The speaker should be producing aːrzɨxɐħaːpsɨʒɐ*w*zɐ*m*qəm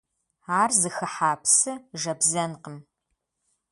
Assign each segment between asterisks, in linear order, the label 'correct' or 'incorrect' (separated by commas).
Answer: incorrect, incorrect